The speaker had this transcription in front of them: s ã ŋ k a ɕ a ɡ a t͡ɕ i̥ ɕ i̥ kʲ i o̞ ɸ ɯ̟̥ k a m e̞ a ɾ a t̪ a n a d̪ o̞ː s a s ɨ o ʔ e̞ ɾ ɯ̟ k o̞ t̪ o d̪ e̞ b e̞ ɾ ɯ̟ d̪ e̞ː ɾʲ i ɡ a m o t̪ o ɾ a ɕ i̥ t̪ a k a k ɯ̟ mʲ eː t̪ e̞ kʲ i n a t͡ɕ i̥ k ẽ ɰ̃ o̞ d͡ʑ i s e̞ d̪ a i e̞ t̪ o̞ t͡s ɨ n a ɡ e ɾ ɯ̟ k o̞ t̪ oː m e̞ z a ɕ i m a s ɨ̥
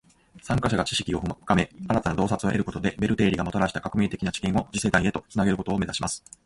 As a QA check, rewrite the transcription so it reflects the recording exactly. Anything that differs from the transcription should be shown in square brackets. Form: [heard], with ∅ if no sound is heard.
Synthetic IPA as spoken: s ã ŋ k a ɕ a ɡ a t͡ɕ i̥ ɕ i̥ kʲ i o̞ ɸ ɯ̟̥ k a m e̞ a ɾ a t̪ a n a d̪ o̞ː s a [t͡s] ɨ o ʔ e̞ ɾ ɯ̟ k o̞ t̪ o d̪ e̞ b e̞ ɾ ɯ̟ [t̪] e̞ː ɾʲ i ɡ a m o t̪ o ɾ a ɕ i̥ t̪ a k a k ɯ̟ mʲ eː t̪ e̞ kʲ i n a t͡ɕ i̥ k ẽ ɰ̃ o̞ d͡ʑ i s e̞ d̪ a i e̞ t̪ o̞ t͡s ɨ n a ɡ e ɾ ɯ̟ k o̞ t̪ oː m e̞ z a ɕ i m a s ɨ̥